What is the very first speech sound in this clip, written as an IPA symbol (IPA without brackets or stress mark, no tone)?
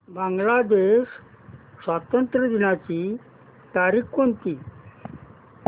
b